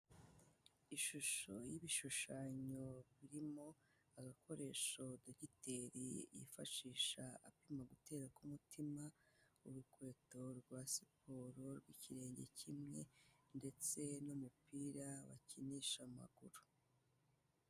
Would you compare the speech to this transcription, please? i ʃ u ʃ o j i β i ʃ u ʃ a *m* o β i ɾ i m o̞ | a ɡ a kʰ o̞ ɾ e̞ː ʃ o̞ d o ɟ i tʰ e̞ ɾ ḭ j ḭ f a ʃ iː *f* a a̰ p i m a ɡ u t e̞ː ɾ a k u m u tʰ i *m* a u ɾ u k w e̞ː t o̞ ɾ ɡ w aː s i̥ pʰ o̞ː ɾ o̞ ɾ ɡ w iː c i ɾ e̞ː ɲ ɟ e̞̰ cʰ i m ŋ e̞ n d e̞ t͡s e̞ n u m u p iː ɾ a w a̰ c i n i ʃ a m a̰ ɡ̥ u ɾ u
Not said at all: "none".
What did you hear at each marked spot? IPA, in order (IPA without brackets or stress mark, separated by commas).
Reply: ɲ, ʃ, m